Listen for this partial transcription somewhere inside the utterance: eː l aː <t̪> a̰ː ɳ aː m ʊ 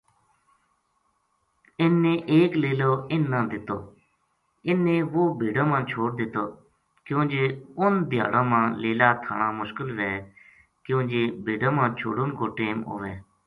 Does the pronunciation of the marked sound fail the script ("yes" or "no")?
yes